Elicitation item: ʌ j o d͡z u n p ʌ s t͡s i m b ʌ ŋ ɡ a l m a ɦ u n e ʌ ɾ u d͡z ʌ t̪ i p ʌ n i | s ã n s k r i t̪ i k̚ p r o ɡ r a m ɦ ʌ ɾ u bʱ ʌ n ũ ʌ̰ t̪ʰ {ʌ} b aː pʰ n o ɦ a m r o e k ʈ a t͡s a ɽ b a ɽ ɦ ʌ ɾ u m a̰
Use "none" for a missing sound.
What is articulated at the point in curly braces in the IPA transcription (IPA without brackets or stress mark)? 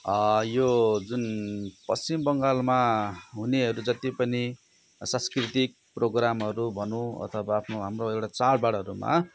ʌ